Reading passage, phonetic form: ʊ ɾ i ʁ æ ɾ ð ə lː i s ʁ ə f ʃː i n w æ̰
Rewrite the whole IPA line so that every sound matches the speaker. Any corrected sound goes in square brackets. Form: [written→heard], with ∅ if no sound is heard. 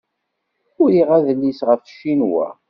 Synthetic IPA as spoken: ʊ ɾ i ʁ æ [ɾ→∅] ð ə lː i s ʁ ə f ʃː i n w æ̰